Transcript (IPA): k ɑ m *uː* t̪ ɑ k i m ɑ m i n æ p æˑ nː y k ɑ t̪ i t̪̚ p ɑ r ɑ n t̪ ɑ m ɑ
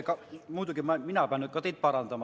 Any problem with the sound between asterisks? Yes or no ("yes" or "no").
no